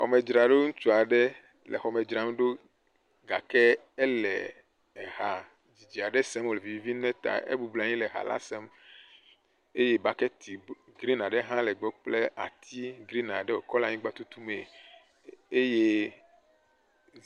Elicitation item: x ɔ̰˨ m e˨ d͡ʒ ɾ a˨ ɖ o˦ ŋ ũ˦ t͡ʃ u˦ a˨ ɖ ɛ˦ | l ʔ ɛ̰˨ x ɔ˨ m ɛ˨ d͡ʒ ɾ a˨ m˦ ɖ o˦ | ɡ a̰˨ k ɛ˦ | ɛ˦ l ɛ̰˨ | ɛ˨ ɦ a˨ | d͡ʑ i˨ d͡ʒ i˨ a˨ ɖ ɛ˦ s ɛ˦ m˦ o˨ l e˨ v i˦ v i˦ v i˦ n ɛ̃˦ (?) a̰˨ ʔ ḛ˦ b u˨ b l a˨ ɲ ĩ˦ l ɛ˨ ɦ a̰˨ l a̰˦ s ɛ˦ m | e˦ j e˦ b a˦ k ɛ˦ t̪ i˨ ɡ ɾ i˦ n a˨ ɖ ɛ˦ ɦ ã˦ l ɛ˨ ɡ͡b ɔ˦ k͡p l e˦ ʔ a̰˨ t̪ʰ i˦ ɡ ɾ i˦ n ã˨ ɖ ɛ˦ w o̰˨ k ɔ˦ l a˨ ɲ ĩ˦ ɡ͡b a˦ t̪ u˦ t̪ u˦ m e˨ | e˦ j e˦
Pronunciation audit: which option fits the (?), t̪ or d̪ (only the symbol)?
t̪